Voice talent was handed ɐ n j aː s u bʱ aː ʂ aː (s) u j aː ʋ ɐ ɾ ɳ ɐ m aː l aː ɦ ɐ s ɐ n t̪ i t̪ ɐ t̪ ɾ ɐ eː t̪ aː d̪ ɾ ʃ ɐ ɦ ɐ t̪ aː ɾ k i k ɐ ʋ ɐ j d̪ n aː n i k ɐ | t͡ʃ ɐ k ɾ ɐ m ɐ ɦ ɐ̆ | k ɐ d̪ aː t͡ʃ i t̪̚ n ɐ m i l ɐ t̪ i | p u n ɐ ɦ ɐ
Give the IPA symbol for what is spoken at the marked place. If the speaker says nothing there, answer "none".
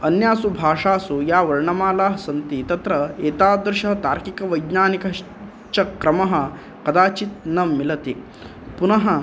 s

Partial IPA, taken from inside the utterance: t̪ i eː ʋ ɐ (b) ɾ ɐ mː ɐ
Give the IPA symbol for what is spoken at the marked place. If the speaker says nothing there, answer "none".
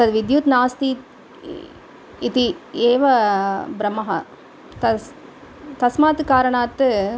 b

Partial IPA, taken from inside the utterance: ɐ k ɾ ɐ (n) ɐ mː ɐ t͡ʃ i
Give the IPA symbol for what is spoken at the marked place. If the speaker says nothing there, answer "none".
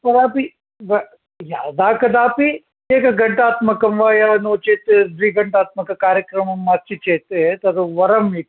m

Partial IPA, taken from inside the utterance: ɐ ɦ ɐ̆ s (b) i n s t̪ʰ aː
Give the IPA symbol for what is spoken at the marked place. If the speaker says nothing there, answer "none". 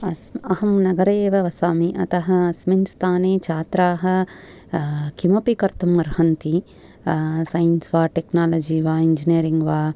m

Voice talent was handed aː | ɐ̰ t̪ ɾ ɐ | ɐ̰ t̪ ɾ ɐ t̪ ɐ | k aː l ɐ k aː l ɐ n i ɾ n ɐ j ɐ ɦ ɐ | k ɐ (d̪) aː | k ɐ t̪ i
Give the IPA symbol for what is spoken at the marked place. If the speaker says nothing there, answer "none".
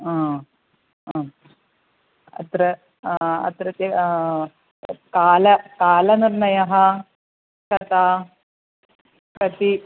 t̪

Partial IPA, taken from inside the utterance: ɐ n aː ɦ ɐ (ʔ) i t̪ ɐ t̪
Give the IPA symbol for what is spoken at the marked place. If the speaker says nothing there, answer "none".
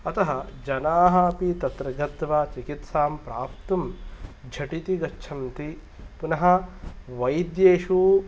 p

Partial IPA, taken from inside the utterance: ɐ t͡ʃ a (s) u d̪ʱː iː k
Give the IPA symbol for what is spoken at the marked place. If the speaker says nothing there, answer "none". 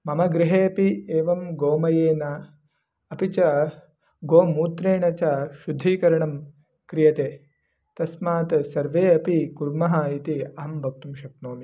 ʃ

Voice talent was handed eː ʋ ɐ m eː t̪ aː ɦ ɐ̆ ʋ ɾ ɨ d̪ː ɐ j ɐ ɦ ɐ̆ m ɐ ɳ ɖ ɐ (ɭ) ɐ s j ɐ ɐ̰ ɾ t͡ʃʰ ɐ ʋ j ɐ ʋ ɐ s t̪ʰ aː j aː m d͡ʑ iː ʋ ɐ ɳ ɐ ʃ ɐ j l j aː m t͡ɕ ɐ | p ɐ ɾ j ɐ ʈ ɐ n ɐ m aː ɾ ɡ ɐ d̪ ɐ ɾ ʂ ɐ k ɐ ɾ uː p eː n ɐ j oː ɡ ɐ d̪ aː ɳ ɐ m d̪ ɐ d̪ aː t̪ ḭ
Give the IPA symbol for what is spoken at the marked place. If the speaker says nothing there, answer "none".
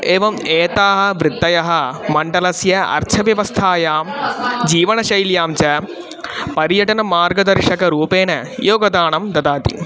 l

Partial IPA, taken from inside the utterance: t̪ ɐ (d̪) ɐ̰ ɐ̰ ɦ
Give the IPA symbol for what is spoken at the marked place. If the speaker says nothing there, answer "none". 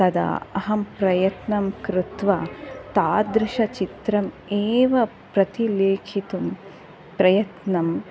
d̪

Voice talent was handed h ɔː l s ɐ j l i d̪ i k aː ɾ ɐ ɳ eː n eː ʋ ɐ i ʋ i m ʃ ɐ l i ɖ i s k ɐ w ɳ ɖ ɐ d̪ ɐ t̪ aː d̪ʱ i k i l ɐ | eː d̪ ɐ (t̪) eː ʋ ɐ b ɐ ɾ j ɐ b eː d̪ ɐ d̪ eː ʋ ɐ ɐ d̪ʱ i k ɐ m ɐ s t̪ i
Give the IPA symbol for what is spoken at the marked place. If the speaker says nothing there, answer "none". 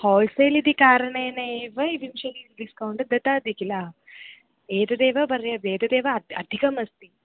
d̪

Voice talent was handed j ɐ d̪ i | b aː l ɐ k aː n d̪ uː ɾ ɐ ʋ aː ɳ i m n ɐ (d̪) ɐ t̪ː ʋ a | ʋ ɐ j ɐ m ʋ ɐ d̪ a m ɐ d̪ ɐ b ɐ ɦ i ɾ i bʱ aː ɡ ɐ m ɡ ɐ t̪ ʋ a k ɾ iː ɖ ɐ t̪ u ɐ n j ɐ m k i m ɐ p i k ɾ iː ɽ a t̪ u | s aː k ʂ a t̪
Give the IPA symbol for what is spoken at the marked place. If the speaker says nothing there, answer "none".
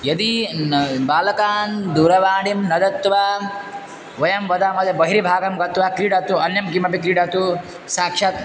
d̪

